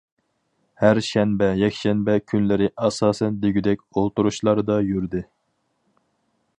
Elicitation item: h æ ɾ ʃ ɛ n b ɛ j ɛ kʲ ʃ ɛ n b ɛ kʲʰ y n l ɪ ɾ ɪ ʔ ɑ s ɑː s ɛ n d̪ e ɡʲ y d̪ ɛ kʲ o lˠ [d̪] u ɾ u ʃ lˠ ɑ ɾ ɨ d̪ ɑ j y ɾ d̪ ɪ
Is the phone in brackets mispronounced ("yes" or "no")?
yes